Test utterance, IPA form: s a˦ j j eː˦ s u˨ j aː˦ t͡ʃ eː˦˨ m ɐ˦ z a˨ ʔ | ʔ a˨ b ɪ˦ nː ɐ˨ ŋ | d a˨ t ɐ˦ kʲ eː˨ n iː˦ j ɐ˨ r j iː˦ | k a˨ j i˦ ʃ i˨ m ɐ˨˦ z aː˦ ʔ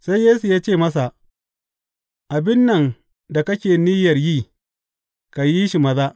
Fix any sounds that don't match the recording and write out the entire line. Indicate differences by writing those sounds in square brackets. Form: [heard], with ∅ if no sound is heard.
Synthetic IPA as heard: s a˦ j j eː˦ s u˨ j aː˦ t͡ʃ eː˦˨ m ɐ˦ [s] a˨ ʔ | ʔ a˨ b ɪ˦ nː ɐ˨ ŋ | d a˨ [k] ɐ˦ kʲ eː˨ n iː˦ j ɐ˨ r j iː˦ | k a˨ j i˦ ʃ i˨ m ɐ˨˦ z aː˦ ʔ